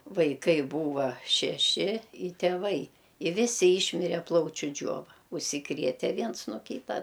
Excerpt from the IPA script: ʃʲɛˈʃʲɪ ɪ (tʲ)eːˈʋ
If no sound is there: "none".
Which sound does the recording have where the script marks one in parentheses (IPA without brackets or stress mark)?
tʲ